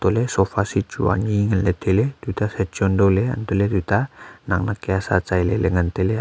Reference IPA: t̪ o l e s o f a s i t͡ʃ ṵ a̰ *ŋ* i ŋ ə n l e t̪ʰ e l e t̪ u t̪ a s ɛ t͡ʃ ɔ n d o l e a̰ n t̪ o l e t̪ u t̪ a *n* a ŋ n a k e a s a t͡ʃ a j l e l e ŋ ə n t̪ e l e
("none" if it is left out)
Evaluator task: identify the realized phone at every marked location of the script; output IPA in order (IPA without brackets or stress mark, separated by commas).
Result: ɲ, n